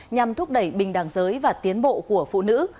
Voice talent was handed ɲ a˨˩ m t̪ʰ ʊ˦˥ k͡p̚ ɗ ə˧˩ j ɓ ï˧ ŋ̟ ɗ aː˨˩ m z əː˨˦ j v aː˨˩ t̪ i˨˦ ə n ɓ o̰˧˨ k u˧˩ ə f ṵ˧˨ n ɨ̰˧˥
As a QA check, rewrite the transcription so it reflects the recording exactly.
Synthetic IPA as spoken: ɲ a˨˩ m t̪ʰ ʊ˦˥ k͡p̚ ɗ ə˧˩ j ɓ ï˨˩ ŋ̟ ɗ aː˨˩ ŋ z əː˨˦ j v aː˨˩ t̪ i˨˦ ə n ɓ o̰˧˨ k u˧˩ ə f ṵ˧˨ n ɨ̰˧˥